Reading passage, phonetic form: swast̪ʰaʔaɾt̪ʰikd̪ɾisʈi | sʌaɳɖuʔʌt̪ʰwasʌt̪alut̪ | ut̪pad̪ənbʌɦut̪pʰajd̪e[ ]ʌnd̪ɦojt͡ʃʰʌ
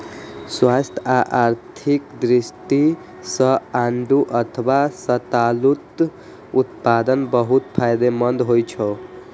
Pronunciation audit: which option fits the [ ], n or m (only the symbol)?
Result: m